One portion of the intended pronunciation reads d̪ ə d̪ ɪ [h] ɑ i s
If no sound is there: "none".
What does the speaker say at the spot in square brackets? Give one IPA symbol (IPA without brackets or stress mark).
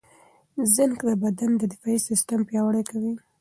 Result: f